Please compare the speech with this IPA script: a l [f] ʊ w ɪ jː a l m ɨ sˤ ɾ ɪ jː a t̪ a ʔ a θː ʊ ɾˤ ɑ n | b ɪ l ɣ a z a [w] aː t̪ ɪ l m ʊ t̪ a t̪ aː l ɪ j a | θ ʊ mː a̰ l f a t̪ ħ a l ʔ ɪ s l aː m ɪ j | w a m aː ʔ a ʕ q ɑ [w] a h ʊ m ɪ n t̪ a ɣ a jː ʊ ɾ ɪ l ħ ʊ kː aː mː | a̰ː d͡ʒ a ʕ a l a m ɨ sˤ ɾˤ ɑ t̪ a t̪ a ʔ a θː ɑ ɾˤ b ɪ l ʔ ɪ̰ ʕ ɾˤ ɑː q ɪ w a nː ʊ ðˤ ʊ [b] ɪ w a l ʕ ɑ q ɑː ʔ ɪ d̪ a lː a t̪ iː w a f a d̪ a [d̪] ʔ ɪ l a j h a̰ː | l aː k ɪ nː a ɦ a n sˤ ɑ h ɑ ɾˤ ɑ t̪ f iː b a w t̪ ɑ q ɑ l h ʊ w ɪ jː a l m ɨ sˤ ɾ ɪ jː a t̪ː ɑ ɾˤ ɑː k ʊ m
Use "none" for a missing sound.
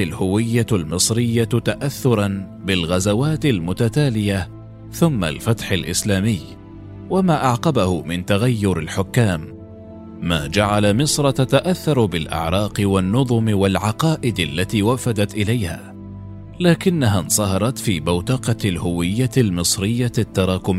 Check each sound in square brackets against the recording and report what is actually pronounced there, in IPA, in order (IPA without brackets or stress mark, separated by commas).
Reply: h, w, b, m, t̪